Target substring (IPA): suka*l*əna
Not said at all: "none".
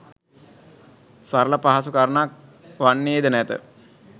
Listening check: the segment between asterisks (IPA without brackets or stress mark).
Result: ɾ